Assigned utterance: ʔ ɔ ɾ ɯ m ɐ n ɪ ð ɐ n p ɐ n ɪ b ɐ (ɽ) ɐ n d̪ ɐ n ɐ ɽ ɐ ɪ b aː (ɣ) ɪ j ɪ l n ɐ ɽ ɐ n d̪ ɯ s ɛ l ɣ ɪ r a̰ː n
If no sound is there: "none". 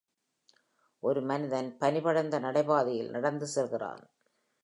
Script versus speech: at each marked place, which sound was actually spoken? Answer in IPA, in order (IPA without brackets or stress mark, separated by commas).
ɽ, ð